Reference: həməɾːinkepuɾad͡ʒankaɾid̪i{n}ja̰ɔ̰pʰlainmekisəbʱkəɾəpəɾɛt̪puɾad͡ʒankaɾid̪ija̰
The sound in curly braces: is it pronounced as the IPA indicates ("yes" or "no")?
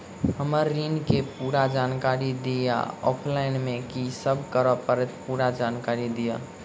no